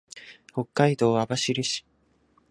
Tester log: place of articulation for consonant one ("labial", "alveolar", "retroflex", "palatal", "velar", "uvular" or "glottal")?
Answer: glottal